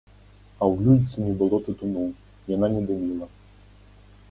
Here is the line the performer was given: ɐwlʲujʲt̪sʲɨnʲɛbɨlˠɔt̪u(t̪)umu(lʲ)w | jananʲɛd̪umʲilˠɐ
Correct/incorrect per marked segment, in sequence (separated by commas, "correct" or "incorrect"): correct, incorrect